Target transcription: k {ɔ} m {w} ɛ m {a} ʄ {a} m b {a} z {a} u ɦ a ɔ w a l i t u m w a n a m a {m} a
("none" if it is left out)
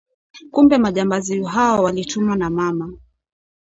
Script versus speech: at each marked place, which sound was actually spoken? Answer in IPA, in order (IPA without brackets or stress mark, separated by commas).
u, b, a, a, a, i, m